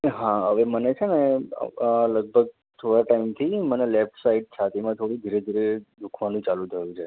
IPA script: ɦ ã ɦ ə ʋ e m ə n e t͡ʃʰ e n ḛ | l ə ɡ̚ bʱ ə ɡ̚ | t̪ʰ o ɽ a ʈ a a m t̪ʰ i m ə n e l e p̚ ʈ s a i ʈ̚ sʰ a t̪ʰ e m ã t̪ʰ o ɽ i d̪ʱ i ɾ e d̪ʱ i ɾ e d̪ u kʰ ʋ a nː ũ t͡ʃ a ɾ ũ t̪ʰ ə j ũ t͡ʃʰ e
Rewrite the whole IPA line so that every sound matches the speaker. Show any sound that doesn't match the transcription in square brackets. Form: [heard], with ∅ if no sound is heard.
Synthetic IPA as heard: ɦ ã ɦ ə ʋ e m ə n e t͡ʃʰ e n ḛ | l ə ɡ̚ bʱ ə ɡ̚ | t̪ʰ o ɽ a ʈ a [i] m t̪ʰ i m ə n e l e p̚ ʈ s a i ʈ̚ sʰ a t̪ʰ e m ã t̪ʰ o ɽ i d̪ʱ i ɾ e d̪ʱ i ɾ e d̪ u kʰ ʋ a [n] ũ t͡ʃ a [l] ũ t̪ʰ ə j ũ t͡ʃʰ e